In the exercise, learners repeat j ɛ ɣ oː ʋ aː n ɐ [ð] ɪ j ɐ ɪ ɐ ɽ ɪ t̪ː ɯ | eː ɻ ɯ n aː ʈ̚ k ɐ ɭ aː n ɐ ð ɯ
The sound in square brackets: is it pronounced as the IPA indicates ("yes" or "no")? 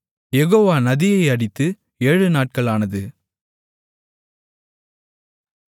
yes